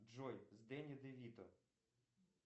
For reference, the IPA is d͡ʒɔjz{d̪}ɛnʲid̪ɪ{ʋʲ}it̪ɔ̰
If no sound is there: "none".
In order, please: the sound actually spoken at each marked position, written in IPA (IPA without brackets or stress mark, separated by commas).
d̪, ʋʲ